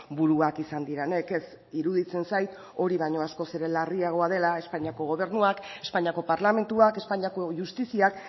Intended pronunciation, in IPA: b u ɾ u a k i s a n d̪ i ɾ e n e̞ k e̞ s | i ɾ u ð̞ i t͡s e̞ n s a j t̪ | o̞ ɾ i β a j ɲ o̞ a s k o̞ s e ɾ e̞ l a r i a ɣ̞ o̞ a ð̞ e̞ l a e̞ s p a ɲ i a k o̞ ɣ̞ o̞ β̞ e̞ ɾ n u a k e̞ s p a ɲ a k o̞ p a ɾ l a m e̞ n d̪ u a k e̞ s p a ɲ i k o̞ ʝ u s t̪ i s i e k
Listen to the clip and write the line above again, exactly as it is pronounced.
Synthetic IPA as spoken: b u ɾ u a k i s a n d̪ i ɾ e n e̞ k e̞ s | i ɾ u ð̞ i t͡s e̞ n s a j t̪ | o̞ ɾ i β a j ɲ o̞ a s k o̞ s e ɾ e̞ l a r i a ɣ̞ o̞ a ð̞ e̞ l a e̞ s p a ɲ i a k o̞ ɣ̞ o̞ β̞ e̞ ɾ n u a k e̞ s p a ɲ a k o̞ p a ɾ l a m e̞ n t̪ u a k e̞ s p a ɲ a k o̞ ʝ u s t̪ i s i a k